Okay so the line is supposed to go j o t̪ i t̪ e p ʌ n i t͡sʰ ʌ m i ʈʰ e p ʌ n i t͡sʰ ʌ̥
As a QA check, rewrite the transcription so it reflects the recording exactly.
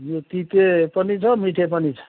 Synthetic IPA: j o t̪ i t̪ e p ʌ n i t͡sʰ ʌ m i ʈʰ e p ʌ n i t͡sʰ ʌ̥